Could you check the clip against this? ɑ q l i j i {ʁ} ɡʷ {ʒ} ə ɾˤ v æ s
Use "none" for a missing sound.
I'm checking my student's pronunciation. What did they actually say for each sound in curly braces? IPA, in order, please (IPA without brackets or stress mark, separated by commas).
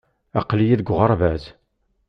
ð, ʁ